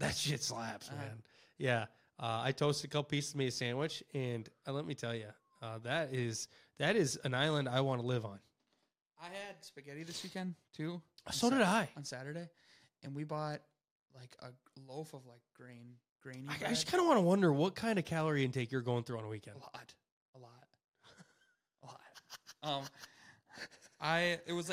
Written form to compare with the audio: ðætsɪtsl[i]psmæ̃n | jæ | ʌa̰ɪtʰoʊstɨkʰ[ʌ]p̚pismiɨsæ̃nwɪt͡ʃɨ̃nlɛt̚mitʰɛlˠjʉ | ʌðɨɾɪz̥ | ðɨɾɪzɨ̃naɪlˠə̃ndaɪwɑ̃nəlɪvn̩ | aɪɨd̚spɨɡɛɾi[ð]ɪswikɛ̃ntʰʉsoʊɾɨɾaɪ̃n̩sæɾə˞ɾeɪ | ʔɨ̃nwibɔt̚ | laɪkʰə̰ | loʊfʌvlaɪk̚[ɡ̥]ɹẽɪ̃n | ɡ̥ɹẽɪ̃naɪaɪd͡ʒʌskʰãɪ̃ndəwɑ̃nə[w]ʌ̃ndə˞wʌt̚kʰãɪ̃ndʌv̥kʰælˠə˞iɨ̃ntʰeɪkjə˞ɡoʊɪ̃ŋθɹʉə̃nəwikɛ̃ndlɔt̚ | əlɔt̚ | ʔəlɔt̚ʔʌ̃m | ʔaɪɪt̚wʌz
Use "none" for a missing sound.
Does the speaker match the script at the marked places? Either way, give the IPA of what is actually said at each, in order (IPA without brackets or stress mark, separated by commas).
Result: æ, ʌ, ð, ɡ̥, w